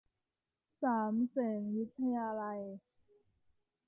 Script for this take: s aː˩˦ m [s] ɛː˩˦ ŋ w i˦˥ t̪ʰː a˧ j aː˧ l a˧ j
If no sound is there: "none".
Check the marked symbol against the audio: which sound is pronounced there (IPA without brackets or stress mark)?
s